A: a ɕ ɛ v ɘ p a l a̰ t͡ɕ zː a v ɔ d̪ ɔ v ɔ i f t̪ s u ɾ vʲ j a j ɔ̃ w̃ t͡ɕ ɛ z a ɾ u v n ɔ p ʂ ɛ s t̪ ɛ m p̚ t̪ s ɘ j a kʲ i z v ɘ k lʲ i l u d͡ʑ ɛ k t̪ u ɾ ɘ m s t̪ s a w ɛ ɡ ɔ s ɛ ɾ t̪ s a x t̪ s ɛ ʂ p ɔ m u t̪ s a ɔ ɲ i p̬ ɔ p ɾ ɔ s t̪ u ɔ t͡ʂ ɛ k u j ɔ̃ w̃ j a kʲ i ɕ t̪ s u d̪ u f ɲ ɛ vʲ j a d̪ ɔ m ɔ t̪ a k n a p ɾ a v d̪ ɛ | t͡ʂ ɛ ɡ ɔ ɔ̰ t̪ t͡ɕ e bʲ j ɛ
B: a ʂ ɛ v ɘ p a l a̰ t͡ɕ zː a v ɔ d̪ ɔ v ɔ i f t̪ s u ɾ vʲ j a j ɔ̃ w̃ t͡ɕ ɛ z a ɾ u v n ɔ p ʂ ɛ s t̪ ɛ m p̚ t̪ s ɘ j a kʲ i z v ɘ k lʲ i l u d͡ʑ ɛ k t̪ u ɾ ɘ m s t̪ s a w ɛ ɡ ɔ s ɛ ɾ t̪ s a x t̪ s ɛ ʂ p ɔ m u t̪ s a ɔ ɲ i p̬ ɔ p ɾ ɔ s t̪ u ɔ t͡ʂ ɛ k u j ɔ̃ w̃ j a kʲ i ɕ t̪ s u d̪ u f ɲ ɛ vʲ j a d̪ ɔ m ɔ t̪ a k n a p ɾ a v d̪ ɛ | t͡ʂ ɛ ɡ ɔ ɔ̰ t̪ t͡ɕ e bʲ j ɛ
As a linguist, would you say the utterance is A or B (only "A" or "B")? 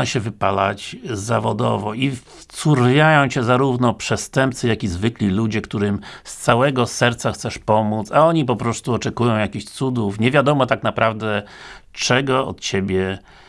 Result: A